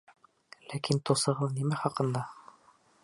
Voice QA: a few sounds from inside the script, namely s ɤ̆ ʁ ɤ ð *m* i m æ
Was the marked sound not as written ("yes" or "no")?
yes